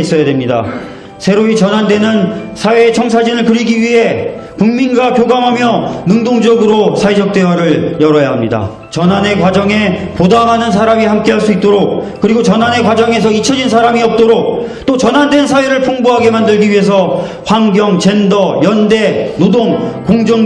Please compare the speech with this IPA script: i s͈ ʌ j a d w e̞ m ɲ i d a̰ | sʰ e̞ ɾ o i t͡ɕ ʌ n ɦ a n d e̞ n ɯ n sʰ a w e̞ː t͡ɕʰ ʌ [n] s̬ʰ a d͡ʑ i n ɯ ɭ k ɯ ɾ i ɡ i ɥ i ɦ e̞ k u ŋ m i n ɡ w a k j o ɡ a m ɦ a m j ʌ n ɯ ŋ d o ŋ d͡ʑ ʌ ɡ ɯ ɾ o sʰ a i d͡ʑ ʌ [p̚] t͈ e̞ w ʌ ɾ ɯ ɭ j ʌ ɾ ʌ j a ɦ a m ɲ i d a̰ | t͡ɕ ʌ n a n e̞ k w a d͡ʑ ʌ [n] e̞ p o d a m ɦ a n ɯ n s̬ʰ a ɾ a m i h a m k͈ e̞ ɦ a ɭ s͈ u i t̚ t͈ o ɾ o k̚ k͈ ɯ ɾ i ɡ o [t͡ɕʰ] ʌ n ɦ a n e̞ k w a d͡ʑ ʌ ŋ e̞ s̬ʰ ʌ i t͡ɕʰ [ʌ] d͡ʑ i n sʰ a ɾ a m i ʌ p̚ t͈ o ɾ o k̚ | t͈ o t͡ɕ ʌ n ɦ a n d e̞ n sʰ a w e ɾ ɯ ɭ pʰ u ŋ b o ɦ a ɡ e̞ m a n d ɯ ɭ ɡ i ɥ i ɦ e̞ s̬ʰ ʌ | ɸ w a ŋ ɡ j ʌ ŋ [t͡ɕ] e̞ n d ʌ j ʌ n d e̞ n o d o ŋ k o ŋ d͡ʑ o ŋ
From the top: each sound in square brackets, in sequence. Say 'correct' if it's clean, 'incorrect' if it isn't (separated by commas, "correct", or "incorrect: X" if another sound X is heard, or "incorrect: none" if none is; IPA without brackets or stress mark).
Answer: incorrect: ŋ, incorrect: k̚, incorrect: ŋ, incorrect: t͡ɕ, correct, correct